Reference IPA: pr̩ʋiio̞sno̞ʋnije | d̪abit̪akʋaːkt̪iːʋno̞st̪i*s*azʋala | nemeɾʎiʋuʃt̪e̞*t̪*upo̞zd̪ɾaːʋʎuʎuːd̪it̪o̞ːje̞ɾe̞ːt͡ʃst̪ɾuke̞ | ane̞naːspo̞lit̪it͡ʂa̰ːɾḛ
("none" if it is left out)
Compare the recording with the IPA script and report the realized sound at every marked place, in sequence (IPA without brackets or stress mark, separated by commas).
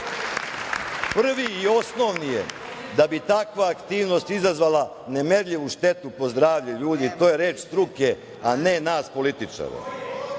z, t̪